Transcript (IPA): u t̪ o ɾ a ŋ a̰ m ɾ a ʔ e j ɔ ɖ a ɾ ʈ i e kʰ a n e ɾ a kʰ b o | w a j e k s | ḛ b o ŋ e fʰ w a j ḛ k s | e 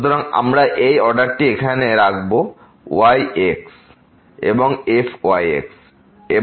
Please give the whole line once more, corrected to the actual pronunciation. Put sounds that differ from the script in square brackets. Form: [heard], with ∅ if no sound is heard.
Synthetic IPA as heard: u t̪ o ɾ a ŋ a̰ m ɾ a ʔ e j ɔ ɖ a ɾ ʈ i e kʰ a n e ɾ a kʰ b o | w a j e k s | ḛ b o ŋ e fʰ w a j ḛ k s | e